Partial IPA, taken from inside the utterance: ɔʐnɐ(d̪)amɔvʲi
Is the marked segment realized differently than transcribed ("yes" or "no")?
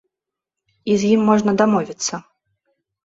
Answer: no